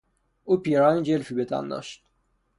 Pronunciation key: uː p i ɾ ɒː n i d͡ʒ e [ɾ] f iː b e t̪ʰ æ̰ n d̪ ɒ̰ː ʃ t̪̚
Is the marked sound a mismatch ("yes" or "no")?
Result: yes